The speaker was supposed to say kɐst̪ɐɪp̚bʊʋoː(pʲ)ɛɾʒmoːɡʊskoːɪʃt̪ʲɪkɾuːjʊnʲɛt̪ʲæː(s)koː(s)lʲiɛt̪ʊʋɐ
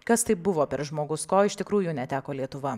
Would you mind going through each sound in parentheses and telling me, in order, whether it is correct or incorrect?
correct, incorrect: none, incorrect: none

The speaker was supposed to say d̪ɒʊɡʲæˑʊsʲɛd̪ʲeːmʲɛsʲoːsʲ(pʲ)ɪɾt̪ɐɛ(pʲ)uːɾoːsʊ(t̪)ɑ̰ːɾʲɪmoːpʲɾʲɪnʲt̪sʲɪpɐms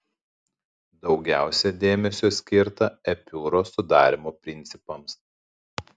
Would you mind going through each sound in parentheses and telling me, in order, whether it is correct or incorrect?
incorrect: kʲ, correct, incorrect: d̪

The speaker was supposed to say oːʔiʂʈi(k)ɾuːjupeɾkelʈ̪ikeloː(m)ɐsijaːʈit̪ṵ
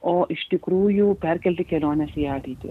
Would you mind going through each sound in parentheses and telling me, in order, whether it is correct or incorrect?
correct, incorrect: n

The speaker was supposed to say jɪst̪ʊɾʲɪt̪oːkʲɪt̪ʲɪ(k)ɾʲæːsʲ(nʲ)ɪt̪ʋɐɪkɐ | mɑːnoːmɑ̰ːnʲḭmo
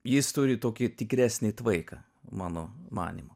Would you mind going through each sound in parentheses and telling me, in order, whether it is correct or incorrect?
correct, correct

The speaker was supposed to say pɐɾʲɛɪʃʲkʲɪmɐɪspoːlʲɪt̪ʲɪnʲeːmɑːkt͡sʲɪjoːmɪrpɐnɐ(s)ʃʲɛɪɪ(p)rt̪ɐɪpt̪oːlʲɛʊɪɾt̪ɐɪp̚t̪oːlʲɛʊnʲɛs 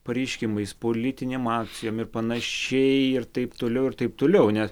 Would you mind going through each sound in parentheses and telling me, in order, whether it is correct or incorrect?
incorrect: none, incorrect: none

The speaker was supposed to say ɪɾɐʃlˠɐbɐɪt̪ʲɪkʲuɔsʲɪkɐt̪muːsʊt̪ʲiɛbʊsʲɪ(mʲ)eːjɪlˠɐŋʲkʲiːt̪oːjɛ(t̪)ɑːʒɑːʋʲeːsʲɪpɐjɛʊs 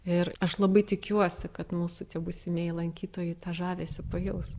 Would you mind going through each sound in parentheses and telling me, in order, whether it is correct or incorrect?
correct, correct

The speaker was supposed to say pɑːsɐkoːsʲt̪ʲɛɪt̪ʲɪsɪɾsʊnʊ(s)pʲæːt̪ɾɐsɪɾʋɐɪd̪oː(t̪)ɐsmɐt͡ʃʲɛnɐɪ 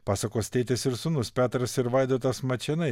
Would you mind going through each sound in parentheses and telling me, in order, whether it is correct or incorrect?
correct, correct

